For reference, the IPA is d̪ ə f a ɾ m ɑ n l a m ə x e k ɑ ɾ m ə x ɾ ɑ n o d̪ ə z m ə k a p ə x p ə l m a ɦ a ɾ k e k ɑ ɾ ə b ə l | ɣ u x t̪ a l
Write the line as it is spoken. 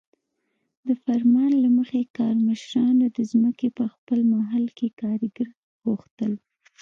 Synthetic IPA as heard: d̪ ə f a ɾ m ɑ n l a m ə x e k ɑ ɾ m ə ʃ ɾ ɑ n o d̪ ə z m ə k e p ə x p ə l m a ɦ a l k e k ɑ ɾ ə ɡ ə ɾ | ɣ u x t̪ ə l